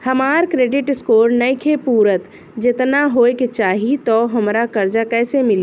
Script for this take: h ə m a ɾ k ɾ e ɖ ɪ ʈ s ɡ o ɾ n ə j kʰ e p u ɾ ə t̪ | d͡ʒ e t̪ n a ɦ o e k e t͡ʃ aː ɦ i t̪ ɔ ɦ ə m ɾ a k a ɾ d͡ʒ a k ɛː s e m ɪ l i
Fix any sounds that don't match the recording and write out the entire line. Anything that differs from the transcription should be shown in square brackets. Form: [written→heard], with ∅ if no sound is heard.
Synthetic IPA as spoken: h ə m a ɾ k ɾ e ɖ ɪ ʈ s [ɡ→k] o ɾ n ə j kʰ e p u ɾ ə t̪ | d͡ʒ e t̪ n a ɦ o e k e t͡ʃ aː ɦ i t̪ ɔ ɦ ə m ɾ a k [a→ə] ɾ d͡ʒ a k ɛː s e m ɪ l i